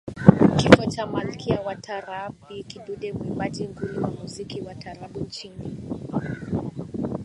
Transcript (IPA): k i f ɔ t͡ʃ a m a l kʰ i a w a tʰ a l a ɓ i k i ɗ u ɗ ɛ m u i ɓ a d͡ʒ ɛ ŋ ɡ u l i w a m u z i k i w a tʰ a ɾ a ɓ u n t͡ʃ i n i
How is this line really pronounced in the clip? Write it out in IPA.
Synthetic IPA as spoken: k i f ɔ t͡ʃ a m a l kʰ i a w a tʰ a ɾ a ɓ i k i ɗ u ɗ ɛ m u i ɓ a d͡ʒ i ŋ ɡ u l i w a m u z i k i w a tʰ a ɾ a ɓ u n t͡ʃ i n i